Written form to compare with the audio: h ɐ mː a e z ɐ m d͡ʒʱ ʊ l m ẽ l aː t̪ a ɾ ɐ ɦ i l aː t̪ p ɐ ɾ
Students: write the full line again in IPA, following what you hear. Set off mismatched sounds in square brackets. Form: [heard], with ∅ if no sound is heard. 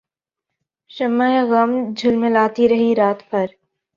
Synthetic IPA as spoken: [ʃ] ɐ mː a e [ɣ] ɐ m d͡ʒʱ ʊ l m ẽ l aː t̪ [i] ɾ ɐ ɦ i [ɾ] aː t̪ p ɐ ɾ